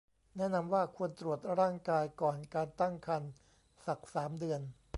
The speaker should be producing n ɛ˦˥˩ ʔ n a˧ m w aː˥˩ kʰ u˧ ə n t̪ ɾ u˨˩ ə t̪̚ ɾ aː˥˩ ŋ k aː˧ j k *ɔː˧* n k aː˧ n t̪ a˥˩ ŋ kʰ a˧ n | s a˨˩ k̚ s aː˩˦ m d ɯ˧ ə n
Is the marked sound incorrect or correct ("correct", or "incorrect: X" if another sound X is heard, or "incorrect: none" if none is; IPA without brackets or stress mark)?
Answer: incorrect: ɔː˨˩